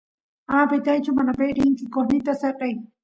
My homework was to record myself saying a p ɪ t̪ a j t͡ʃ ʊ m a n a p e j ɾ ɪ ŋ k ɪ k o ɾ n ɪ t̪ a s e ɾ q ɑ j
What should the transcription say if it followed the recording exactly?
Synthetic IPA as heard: a p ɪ t̪ a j t͡ʃ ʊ m a n a p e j ɾ ɪ ŋ k ɪ k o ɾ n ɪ t̪ a s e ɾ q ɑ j